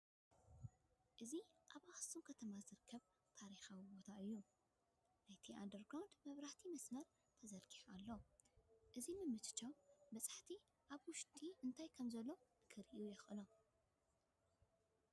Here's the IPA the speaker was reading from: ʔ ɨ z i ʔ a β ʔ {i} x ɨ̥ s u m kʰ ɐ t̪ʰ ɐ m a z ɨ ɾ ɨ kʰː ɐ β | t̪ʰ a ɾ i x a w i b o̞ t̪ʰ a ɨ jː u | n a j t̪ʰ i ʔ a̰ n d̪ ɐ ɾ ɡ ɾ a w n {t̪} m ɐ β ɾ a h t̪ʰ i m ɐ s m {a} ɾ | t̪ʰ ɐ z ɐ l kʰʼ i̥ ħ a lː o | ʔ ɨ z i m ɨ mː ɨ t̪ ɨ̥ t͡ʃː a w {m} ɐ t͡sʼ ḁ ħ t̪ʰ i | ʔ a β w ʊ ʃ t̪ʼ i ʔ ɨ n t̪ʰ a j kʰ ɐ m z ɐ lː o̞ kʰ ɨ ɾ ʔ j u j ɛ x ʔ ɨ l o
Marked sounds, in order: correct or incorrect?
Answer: incorrect, incorrect, incorrect, incorrect

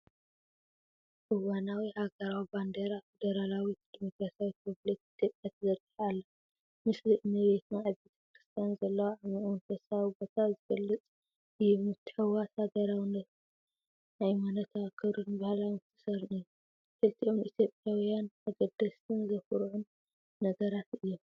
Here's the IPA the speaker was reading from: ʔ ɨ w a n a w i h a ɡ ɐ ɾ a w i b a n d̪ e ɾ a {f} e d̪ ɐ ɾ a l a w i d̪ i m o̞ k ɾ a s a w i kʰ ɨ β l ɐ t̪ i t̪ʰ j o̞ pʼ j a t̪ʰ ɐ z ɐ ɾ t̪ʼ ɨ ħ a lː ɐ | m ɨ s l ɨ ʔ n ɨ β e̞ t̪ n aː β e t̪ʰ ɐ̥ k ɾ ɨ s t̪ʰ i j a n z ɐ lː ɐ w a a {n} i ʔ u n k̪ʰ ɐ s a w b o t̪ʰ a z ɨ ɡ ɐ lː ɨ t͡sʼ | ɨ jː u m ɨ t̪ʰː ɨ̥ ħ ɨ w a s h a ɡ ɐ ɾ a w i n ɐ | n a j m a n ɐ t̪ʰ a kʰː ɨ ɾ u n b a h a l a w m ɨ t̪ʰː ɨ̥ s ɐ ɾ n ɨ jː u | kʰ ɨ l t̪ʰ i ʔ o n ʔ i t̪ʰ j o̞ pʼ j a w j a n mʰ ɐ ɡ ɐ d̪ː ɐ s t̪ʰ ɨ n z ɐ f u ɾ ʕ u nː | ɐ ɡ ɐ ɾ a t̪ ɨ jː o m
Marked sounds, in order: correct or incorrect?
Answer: correct, incorrect

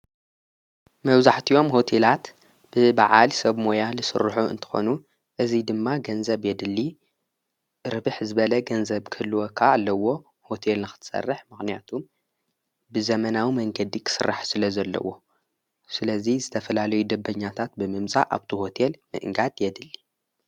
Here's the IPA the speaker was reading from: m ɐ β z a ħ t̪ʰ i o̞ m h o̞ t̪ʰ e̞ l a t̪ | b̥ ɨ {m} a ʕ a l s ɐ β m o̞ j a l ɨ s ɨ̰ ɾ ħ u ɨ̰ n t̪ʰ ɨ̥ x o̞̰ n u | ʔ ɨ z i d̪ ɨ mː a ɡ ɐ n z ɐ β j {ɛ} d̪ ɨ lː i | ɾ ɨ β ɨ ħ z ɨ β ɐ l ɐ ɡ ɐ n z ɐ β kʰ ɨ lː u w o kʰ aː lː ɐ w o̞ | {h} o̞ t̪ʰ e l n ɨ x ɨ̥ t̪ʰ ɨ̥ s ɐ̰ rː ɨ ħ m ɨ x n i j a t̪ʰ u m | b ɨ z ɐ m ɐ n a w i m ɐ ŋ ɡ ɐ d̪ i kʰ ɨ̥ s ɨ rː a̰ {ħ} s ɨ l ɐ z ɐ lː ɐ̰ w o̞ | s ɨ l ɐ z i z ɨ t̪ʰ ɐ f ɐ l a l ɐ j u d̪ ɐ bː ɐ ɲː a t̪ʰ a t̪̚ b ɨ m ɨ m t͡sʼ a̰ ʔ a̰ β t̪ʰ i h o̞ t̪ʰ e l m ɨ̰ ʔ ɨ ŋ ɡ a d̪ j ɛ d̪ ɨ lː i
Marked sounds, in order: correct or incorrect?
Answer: incorrect, correct, correct, correct

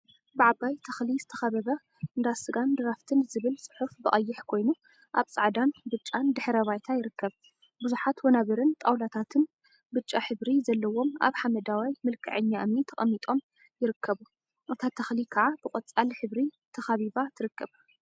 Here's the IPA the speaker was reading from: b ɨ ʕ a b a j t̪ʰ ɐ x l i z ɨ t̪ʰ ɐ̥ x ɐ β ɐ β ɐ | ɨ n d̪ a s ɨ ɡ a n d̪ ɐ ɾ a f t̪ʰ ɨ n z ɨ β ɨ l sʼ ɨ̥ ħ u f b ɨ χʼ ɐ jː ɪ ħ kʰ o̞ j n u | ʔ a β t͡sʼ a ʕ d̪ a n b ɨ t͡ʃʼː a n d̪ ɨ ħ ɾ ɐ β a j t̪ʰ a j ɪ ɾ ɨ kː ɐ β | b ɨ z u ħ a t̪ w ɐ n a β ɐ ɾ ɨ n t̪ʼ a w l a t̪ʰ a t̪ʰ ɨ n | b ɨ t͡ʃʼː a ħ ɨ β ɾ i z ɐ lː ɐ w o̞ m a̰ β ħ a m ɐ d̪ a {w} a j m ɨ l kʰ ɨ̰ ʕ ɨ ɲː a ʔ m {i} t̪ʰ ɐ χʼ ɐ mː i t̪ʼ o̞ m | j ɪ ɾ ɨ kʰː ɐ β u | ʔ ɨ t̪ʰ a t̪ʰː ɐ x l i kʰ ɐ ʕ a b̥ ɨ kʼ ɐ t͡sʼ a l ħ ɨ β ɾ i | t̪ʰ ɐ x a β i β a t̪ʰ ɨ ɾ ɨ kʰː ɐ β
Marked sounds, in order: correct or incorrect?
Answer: correct, correct

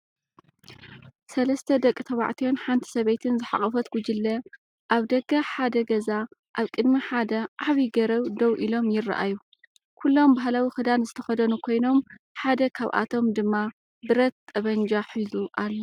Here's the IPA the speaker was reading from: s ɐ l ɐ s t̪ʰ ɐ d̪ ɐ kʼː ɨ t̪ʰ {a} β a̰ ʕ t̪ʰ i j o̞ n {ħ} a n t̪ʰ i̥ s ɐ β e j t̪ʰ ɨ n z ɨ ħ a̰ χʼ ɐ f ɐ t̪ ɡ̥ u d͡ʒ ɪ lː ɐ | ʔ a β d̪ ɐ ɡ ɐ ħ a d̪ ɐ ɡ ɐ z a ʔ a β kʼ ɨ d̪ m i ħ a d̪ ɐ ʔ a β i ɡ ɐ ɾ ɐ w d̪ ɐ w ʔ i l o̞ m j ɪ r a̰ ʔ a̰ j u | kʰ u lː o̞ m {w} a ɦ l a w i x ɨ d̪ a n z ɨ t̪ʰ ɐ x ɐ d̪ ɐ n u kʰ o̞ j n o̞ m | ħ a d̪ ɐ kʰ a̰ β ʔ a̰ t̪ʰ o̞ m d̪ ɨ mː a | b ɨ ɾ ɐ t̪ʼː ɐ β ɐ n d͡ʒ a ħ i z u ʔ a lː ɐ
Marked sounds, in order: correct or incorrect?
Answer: incorrect, correct, incorrect

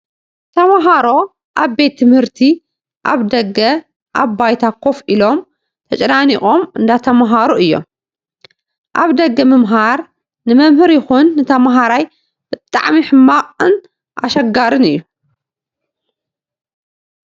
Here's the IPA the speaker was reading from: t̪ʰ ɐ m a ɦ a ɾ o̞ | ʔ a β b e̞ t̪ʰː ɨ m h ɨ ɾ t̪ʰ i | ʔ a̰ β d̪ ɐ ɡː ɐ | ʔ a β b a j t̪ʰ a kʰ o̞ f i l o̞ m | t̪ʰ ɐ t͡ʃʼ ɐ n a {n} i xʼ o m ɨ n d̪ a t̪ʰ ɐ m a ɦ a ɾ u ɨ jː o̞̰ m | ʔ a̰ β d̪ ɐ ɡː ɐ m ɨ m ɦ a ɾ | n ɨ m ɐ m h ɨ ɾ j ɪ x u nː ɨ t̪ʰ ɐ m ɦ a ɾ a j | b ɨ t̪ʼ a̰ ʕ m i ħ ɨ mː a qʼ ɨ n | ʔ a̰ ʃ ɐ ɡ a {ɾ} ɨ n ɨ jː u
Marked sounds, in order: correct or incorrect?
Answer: correct, correct

